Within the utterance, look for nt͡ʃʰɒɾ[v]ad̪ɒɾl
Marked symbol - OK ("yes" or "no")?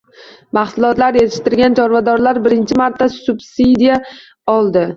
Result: yes